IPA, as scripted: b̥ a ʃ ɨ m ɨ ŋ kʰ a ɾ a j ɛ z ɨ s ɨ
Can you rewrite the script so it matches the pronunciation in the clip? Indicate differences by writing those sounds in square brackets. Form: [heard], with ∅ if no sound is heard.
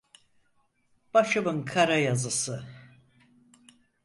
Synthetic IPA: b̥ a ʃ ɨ [b] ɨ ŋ kʰ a ɾ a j [a] z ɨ s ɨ